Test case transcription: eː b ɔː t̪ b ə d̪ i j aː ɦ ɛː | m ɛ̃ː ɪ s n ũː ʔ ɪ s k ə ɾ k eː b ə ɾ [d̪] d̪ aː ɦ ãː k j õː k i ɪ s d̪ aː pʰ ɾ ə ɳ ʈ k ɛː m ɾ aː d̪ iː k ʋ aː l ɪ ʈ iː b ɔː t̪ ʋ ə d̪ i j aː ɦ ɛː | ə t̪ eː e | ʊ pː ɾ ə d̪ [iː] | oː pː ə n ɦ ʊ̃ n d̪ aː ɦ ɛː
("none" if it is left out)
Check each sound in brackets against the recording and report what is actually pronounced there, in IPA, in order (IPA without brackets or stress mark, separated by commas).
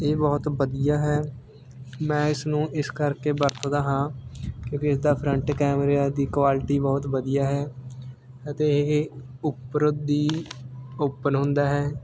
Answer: t̪, iː